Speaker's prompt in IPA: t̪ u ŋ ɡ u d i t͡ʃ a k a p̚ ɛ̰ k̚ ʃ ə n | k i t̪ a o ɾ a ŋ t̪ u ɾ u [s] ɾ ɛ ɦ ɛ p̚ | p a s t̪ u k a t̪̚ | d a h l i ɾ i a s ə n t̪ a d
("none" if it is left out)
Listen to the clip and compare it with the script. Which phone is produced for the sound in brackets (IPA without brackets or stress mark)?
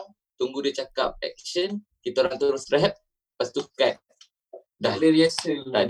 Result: s